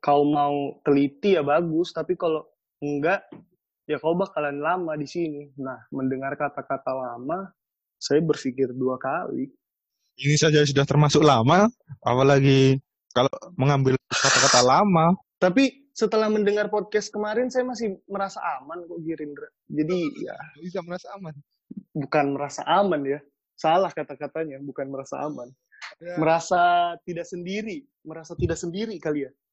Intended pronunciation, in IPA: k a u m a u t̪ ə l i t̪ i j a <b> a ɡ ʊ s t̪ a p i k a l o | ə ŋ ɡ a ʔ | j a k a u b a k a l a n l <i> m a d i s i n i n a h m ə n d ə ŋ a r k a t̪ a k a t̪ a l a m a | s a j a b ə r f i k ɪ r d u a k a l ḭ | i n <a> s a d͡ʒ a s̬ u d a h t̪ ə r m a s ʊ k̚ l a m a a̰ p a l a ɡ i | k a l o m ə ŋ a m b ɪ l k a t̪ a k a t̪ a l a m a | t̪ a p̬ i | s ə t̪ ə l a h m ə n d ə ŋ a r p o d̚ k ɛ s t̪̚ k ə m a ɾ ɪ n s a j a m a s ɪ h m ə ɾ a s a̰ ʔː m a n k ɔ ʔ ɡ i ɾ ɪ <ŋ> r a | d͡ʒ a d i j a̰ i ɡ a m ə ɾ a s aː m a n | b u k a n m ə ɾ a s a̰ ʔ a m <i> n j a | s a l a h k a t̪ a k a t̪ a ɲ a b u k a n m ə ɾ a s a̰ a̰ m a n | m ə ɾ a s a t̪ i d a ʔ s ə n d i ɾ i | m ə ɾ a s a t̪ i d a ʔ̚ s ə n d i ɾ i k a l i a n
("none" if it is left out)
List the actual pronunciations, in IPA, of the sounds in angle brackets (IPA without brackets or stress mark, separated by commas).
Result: b, a, i, n, a